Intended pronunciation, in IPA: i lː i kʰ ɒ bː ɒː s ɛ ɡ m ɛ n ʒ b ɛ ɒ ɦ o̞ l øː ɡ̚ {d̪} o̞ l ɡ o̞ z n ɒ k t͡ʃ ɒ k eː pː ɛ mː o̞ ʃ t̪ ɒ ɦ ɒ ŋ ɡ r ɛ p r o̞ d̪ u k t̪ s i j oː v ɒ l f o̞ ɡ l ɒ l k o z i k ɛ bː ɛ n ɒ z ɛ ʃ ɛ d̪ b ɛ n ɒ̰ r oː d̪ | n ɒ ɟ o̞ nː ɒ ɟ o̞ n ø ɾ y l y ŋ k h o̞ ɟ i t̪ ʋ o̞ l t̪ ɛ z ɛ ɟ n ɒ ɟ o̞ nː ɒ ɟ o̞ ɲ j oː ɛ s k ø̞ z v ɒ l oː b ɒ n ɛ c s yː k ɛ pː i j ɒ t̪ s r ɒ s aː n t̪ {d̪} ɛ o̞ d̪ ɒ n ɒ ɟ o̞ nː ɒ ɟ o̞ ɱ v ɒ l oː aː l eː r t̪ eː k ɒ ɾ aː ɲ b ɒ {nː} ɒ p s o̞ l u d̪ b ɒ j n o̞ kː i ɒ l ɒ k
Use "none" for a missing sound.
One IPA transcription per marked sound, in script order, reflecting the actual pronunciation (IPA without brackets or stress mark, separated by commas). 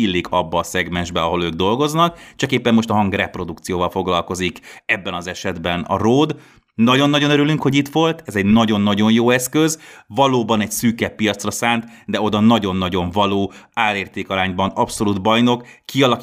d̪, d̪, n